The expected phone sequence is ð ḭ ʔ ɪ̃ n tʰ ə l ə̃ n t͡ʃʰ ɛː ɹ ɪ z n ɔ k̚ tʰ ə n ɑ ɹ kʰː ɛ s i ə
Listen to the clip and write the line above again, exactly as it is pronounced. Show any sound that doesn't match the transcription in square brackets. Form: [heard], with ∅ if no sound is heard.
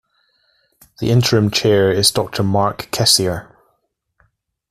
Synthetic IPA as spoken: ð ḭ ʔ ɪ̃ n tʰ ə [ɹ] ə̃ [m] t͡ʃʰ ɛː ɹ ɪ z [d] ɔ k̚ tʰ ə [m] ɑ ɹ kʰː ɛ s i ə

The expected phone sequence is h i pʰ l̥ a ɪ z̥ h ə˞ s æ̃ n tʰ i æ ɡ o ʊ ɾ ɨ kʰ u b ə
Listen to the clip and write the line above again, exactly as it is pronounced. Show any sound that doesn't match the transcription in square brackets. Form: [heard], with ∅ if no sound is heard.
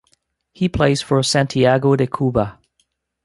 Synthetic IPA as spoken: h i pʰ l̥ [e] ɪ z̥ [f] ə˞ s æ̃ n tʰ i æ ɡ o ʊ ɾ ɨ kʰ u b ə

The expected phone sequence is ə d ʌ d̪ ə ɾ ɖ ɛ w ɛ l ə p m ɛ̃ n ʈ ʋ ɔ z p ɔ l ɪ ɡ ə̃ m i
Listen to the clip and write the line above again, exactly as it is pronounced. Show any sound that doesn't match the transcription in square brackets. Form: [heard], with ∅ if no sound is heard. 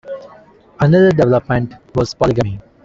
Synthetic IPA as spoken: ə [n] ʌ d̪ ə ɾ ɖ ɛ [ʋ] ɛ l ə p m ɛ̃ [ɳ] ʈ ʋ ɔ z p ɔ l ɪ ɡ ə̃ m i

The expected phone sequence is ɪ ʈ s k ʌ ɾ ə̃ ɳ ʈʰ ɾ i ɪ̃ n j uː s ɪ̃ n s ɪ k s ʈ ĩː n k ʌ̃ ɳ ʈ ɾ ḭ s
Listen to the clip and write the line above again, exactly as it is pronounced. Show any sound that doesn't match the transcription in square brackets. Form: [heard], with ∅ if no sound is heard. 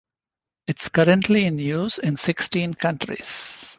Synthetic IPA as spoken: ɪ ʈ s k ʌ ɾ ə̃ ɳ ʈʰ [l] i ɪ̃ n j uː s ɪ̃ n s ɪ k s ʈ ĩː n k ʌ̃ ɳ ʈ ɾ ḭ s

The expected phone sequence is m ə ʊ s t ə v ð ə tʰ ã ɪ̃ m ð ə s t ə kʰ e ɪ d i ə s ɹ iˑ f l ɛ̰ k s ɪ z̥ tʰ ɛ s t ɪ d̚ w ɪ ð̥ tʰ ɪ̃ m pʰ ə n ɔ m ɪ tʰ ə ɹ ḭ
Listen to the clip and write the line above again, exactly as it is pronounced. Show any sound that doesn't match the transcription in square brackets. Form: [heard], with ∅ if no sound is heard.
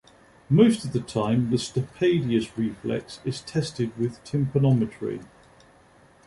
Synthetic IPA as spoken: m ə ʊ s t ə v ð ə tʰ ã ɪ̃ m ð ə s t ə [pʰ] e ɪ d i ə s ɹ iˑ f l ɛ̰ k s ɪ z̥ tʰ ɛ s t ɪ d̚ w ɪ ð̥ tʰ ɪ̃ m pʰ ə n [ɒ] m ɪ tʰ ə ɹ ḭ

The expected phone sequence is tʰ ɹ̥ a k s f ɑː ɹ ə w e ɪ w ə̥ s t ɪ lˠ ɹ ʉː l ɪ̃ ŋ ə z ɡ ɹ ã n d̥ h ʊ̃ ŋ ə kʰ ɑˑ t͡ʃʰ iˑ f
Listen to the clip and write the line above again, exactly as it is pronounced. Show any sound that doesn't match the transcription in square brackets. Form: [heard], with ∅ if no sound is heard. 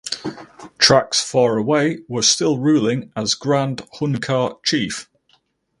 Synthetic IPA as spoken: tʰ ɹ̥ a k s f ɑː ɹ ə w e ɪ w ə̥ s t ɪ lˠ ɹ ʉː l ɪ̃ ŋ ə z ɡ ɹ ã n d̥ h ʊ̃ [n] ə kʰ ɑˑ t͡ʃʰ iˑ f

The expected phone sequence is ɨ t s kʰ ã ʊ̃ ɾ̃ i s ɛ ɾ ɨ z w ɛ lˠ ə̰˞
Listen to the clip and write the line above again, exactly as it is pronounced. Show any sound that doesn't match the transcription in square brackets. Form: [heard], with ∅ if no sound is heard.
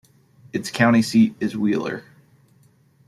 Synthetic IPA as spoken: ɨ t s kʰ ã ʊ̃ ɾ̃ i s [i] ɾ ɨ z w [i] lˠ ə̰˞

